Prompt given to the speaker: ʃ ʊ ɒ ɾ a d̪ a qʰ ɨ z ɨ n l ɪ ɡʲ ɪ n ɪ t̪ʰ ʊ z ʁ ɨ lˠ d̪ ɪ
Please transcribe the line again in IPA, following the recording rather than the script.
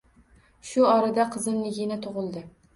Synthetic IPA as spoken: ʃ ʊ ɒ ɾ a d̪ a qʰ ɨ z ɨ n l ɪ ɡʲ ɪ n ɪ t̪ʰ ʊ ʁ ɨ lˠ d̪ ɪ